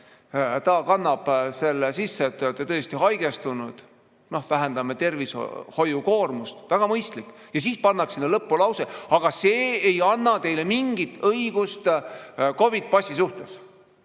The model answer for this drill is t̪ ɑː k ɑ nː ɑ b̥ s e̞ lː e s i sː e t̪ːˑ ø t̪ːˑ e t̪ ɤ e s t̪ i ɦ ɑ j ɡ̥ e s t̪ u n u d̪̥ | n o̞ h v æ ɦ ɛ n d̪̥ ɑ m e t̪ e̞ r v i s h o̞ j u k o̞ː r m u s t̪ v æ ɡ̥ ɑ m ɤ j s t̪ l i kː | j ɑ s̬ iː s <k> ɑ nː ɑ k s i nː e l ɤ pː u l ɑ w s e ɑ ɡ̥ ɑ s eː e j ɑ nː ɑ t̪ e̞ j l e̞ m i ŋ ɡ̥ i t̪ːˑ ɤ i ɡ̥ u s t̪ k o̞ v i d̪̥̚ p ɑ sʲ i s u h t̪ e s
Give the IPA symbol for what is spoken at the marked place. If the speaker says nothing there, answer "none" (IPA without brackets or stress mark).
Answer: p